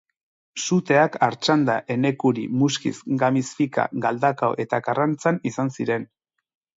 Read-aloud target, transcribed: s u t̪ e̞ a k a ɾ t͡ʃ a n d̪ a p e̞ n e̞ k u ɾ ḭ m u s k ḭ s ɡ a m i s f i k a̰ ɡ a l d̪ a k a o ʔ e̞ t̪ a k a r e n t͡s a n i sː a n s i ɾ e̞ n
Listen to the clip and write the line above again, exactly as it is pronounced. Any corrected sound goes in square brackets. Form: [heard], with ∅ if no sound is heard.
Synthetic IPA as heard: s u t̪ e̞ a k a ɾ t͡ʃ a n d̪ a [ʔ] e̞ n e̞ k u ɾ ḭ m u s k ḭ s ɡ a m i s f i k a̰ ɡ a l d̪ a k a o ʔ e̞ t̪ a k a r [a] n t͡s a n i [s] a n s i ɾ e̞ n